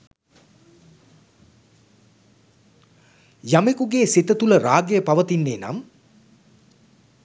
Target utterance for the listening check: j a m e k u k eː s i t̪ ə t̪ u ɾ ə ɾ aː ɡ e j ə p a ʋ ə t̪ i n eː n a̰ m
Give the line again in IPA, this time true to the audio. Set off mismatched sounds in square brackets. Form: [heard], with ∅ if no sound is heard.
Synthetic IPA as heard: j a m e k u [ɡ] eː s i t̪ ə t̪ u [l] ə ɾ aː ɡ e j ə p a ʋ ə t̪ i [nː] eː n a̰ m